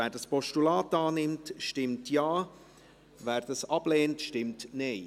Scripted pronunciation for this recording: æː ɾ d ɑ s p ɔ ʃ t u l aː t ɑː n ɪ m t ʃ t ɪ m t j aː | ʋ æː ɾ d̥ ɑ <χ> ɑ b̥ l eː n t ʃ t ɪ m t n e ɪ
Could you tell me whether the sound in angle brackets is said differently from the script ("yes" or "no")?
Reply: yes